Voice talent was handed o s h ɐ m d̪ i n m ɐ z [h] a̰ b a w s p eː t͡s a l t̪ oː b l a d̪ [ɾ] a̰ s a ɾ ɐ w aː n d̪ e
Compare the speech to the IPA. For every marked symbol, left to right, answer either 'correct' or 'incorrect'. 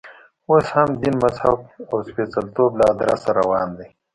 correct, correct

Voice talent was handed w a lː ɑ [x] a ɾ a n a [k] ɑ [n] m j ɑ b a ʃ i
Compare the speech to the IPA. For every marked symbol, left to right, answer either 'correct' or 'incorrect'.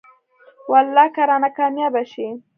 incorrect: k, correct, incorrect: none

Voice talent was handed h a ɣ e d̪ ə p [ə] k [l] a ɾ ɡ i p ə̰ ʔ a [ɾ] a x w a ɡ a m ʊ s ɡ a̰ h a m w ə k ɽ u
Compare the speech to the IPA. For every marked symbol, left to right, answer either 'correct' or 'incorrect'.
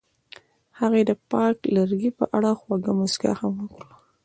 incorrect: ɑ, correct, incorrect: ɽ

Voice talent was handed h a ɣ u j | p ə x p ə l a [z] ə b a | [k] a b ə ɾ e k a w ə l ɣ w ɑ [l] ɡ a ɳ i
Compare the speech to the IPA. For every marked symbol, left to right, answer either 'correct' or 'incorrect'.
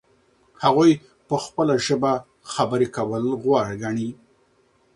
incorrect: ʒ, incorrect: x, incorrect: ɽ

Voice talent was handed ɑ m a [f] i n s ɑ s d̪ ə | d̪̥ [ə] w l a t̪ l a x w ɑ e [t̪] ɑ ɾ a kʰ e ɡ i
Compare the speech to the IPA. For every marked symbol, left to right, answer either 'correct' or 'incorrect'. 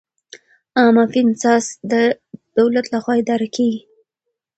correct, incorrect: a, incorrect: d̪

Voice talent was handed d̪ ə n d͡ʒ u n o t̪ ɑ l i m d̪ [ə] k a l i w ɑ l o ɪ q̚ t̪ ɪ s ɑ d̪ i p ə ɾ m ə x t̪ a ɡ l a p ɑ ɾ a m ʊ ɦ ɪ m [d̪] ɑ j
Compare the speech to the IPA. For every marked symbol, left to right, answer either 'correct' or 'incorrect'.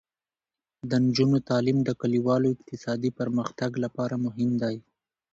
correct, correct

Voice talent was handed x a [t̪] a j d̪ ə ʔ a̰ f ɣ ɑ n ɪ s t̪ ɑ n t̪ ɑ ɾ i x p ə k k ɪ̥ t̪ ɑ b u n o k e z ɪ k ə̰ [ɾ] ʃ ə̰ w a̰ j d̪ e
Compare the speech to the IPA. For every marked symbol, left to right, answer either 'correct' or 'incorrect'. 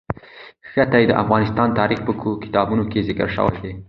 correct, correct

